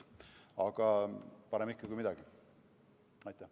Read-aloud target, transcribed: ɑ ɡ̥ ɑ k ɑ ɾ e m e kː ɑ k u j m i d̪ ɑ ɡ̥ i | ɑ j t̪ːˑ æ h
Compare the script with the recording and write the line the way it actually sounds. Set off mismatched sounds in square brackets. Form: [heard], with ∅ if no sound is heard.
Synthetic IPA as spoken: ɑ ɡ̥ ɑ [p] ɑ ɾ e m [i] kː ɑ k u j m i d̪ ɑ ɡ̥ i | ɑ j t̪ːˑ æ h

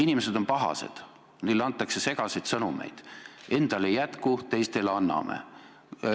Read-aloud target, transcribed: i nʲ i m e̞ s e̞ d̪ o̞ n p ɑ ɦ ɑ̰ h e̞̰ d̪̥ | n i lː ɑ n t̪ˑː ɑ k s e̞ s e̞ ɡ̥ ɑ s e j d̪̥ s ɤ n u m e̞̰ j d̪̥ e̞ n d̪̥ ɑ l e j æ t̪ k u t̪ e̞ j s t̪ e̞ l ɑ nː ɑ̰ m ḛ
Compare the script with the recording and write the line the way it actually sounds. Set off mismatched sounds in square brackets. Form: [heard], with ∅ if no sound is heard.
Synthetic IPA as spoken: i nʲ i m e̞ s e̞ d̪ o̞ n p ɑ ɦ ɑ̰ [s] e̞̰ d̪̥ | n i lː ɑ n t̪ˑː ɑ k s e̞ s e̞ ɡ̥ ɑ s e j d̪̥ s ɤ n u m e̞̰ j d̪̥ e̞ n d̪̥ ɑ l e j æ t̪ k u t̪ e̞ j s t̪ e̞ l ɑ nː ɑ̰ m ḛ

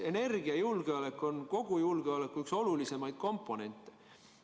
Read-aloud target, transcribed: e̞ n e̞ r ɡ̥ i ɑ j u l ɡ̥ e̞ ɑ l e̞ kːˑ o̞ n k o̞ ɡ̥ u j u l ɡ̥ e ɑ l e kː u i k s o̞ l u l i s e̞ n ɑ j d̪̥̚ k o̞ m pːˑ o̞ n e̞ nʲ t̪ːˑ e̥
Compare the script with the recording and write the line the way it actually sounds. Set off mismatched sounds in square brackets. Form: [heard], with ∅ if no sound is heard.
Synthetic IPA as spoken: e̞ n e̞ r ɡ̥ i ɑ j u l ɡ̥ e̞ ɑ l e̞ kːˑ o̞ n k o̞ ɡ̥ u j u l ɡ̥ e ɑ l e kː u [y] k s o̞ l u l i s e̞ [m] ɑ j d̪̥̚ k o̞ m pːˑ o̞ n e̞ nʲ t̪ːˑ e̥

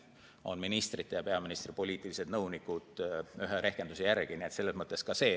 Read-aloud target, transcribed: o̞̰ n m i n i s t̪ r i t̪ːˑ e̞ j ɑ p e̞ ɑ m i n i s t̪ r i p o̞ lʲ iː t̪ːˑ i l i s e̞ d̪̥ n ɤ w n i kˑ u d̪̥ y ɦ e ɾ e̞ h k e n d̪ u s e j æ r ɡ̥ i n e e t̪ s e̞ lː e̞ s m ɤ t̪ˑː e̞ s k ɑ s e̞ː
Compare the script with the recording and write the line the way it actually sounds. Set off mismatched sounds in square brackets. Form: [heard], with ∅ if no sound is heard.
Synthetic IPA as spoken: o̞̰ n m i n i s t̪ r i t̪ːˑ e̞ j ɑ p e̞ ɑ m i n i s t̪ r i p o̞ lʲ iː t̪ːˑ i l i s e̞ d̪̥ n ɤ w n i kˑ u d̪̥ y ɦ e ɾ e̞ h k e n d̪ u s e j æ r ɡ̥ i n [i] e t̪ s e̞ lː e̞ s m ɤ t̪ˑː e̞ s k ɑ s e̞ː

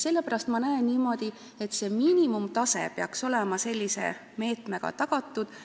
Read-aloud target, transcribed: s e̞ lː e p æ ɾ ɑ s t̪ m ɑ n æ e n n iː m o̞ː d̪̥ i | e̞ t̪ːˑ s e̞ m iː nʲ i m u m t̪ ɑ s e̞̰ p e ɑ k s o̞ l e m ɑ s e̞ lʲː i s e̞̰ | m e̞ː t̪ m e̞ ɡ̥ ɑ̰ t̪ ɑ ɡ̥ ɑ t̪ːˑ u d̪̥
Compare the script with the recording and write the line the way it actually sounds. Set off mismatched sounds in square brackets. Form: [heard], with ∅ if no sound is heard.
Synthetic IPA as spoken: s e̞ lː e p æ ɾ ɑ s t̪ m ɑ n æ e n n iː m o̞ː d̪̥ i | e̞ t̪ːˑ s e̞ m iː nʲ i m u m t̪ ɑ s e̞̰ p e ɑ k s o̞ l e m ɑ s e̞ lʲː i s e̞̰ | m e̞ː t̪ m e̞ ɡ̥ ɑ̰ t̪ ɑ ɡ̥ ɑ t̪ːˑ u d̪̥

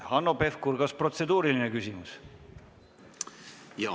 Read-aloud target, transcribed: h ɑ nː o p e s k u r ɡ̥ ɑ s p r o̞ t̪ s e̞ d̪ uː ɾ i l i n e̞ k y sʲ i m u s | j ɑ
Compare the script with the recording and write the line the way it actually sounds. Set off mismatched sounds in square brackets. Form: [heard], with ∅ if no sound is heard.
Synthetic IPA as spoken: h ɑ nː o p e [f] k u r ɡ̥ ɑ s p r o̞ t̪ s e̞ d̪ uː ɾ i l i n e̞ k y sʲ i m u s | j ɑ

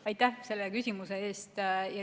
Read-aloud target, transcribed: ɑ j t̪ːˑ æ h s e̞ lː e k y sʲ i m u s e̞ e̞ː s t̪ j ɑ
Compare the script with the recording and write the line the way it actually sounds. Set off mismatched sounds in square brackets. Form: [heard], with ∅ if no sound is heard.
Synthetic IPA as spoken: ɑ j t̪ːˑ æ h s e̞ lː e k y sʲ i m u s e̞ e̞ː s t̪ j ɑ

